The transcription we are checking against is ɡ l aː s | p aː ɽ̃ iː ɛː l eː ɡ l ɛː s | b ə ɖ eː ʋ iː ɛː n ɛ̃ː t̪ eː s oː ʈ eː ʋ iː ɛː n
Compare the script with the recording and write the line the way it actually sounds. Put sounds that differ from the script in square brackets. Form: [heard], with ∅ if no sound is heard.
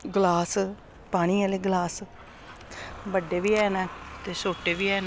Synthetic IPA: ɡ l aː s | p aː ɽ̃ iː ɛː l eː ɡ l [aː] s | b ə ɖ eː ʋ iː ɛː n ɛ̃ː t̪ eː s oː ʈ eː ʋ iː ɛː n